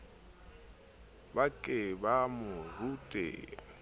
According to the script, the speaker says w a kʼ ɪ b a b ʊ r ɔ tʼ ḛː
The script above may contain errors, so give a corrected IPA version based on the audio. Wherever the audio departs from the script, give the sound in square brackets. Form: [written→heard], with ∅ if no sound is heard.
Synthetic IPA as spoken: [w→b] a kʼ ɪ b a [b→m] ʊ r [ɔ→u] tʼ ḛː